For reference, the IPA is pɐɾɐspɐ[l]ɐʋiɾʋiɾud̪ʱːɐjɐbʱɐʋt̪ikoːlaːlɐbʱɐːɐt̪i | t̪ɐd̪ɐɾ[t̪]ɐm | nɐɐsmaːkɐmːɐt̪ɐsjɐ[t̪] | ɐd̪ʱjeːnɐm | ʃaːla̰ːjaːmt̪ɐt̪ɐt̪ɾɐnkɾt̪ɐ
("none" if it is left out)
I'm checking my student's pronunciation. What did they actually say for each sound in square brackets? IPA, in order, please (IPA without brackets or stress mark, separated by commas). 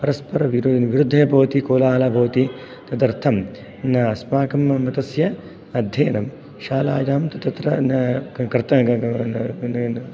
ɾ, t̪ʰ, none